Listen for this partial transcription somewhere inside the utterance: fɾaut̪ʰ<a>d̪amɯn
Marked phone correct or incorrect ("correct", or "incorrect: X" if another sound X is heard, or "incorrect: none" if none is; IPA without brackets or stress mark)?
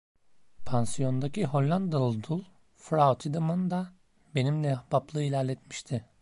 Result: incorrect: i